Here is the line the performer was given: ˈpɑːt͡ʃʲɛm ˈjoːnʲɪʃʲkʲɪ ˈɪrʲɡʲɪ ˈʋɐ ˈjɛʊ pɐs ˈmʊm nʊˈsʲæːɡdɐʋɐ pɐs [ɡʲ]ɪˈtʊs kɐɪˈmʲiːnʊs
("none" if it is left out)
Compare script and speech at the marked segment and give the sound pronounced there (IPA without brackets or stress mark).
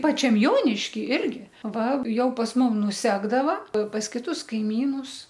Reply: kʲ